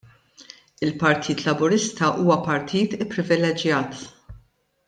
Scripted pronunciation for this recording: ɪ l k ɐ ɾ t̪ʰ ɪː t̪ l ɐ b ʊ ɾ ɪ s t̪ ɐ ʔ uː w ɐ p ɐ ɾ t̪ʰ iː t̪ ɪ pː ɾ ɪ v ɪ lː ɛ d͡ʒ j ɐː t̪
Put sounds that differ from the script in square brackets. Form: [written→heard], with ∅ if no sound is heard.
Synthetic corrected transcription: ɪ l [k→p] ɐ ɾ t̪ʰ [ɪː→iː] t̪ l ɐ b ʊ ɾ ɪ s t̪ ɐ ʔ uː w ɐ p ɐ ɾ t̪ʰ iː t̪ ɪ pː ɾ ɪ v ɪ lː ɛ d͡ʒ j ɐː t̪